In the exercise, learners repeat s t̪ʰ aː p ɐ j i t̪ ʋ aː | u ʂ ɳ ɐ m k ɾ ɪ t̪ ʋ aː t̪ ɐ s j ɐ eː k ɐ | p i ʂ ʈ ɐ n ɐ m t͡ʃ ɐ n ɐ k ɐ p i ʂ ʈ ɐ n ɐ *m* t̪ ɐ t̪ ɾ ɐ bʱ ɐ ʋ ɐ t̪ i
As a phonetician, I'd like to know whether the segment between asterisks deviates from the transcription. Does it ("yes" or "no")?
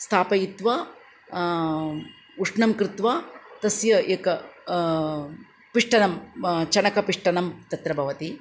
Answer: no